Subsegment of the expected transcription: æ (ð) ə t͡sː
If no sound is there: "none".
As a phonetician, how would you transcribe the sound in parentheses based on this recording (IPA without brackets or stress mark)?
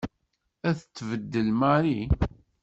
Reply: θ